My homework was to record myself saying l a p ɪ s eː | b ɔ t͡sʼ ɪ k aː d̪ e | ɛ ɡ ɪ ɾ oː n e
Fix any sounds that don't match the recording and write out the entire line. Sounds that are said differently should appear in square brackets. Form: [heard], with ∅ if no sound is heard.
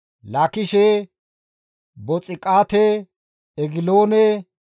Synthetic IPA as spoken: l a [k] ɪ [ʃ] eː | b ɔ t͡sʼ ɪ [kʼ] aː [t̪] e | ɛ ɡ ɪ [l] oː n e

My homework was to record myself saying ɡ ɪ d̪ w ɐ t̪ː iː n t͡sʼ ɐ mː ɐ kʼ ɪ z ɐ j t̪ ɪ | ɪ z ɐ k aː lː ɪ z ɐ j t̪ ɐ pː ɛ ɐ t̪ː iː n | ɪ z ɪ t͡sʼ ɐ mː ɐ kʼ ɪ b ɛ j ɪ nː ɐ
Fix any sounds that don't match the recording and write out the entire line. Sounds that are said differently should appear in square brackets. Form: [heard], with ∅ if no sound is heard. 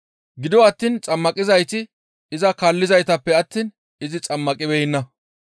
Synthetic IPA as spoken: ɡ ɪ d̪ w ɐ t̪ː iː n t͡sʼ ɐ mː ɐ kʼ ɪ z ɐ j t̪ ɪ | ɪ z ɐ k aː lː ɪ z ɐ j t̪ ɐ pː ɛ ɐ t̪ː iː n | ɪ z ɪ t͡sʼ ɐ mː ɐ kʼ ɪ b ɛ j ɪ nː ɐ

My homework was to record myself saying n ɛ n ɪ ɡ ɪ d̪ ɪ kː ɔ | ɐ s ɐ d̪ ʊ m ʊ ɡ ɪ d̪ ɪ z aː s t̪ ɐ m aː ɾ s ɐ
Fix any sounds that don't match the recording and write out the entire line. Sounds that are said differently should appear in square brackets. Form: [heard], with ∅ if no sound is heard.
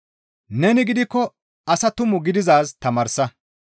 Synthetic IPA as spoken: n ɛ n ɪ ɡ ɪ d̪ ɪ kː ɔ | ɐ s ɐ [t̪] ʊ m ʊ ɡ ɪ d̪ ɪ z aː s t̪ ɐ m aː ɾ s ɐ

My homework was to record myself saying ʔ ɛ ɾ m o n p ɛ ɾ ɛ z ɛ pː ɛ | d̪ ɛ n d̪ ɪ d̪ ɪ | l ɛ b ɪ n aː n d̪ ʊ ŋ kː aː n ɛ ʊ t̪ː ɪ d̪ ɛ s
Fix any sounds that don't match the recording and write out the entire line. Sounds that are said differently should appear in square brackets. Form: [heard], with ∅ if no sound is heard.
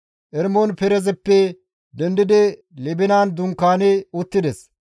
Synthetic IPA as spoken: ʔ ɛ ɾ m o n p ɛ ɾ ɛ z ɛ pː ɛ | d̪ ɛ n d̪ ɪ d̪ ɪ | l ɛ b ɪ n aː n d̪ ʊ ŋ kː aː n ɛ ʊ t̪ː ɪ d̪ ɛ s

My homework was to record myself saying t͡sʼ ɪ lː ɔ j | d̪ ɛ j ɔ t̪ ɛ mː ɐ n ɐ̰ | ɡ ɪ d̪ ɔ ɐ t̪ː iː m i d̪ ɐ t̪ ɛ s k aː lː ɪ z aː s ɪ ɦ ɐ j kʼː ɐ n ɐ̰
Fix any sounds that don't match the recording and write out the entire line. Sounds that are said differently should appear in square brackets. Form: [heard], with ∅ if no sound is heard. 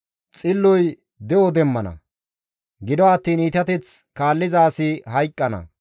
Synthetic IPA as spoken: t͡sʼ ɪ lː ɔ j | d̪ ɛ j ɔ [d̪] ɛ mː ɐ n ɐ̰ | ɡ ɪ d̪ ɔ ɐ t̪ː iː [n] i [t̪] ɐ t̪ ɛ [t͡s] k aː lː ɪ z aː s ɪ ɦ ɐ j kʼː ɐ n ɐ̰

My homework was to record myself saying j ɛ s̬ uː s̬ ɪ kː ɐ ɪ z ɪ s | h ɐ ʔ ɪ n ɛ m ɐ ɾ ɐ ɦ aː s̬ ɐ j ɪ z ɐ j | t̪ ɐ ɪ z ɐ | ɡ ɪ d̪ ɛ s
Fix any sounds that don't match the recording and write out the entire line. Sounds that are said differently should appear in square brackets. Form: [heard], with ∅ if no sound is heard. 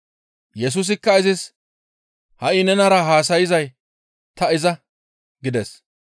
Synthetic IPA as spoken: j ɛ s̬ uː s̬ ɪ kː ɐ ɪ z ɪ s | h ɐ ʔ ɪ n ɛ [n] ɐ ɾ ɐ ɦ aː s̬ ɐ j ɪ z ɐ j | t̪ ɐ ɪ z ɐ | ɡ ɪ d̪ ɛ s

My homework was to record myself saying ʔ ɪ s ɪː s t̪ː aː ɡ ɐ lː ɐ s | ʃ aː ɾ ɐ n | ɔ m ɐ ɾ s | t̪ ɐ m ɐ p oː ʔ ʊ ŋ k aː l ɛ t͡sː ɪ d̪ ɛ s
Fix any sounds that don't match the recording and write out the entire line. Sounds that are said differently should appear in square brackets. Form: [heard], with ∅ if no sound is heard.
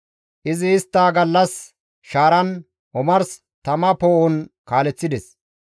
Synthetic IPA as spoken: ʔ ɪ [z] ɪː s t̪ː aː ɡ ɐ lː ɐ s | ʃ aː ɾ ɐ n | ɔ m ɐ ɾ s | t̪ ɐ m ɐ p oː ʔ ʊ [n] k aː l ɛ t͡sː ɪ d̪ ɛ s

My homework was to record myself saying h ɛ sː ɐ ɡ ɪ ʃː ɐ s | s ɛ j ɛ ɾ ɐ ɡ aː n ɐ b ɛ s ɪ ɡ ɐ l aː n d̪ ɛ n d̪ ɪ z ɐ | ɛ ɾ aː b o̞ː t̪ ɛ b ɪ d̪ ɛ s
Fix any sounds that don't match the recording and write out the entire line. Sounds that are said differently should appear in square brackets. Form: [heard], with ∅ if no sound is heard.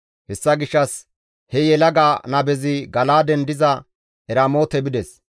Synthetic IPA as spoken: h ɛ sː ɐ ɡ ɪ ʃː ɐ s | [h] ɛ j ɛ [l] ɐ ɡ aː n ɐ b ɛ [z] ɪ ɡ ɐ l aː [∅] d̪ ɛ n d̪ ɪ z ɐ | ɛ ɾ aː [m] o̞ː t̪ ɛ b ɪ d̪ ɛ s

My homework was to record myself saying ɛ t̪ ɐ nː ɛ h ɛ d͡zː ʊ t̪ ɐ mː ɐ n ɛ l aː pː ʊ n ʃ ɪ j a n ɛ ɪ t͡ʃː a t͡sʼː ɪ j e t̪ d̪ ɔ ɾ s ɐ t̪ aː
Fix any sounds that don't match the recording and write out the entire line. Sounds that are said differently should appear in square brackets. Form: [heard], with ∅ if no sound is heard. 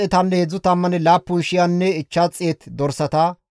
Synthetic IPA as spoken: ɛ t̪ ɐ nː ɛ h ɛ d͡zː ʊ t̪ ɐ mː ɐ n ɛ l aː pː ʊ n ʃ ɪ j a [nː] ɛ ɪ t͡ʃː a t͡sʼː ɪ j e t̪ d̪ ɔ ɾ s ɐ t̪ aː

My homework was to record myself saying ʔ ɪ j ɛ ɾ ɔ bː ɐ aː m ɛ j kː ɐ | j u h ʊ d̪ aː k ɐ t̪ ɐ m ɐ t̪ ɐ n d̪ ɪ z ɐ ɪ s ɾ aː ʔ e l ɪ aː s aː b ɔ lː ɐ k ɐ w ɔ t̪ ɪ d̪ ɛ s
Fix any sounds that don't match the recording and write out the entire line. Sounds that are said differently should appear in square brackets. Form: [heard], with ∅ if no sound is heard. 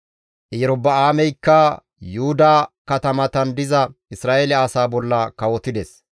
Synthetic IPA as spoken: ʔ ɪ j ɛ ɾ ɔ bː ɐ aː m ɛ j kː ɐ | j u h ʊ d̪ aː k ɐ t̪ ɐ m ɐ t̪ ɐ n d̪ ɪ z ɐ ɪ s ɾ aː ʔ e l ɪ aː s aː b ɔ lː ɐ k ɐ w ɔ t̪ ɪ d̪ ɛ s

